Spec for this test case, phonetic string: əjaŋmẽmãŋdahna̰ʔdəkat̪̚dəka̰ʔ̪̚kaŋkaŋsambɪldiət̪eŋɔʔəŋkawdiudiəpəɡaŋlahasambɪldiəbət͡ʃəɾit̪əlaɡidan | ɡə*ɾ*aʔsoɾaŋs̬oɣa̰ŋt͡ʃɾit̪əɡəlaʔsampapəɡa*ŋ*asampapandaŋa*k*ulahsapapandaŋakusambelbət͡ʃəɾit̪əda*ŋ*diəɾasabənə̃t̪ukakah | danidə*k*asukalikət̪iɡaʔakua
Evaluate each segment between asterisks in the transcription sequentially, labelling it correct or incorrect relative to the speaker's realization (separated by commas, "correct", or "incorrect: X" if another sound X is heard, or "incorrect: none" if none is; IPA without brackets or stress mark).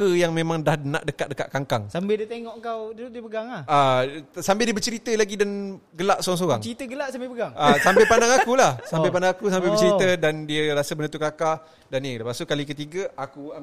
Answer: incorrect: l, correct, correct, incorrect: n, incorrect: p